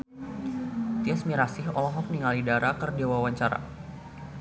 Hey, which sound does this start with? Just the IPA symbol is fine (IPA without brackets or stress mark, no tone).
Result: t̪